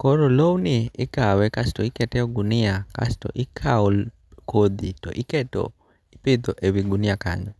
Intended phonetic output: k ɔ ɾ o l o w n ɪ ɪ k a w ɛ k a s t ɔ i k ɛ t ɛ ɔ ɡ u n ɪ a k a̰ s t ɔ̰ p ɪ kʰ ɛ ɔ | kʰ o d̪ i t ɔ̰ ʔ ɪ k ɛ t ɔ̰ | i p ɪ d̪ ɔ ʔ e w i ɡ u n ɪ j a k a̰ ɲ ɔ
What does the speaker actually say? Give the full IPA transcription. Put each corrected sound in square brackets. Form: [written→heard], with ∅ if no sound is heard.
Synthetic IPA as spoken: k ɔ ɾ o l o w n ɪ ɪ k a w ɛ k a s t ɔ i k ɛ t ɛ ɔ ɡ u n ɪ a k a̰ s t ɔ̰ [p→ʔ] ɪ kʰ [ɛ→a] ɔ | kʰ o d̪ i t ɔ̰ ʔ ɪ k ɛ t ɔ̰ | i p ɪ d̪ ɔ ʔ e w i ɡ u n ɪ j a k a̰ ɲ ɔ